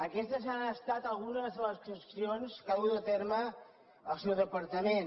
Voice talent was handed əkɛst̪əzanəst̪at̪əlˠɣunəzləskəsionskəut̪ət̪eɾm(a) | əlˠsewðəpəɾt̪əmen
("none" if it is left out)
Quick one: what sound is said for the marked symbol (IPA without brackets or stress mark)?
ə